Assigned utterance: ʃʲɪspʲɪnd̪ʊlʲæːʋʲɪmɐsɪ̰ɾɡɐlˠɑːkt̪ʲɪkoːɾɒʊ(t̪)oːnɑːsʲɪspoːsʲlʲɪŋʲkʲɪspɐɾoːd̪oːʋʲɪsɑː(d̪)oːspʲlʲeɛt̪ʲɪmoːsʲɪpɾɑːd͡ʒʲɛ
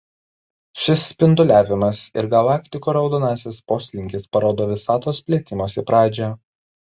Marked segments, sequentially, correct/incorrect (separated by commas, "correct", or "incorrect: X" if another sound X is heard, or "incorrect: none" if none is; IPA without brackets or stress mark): incorrect: d̪, incorrect: t̪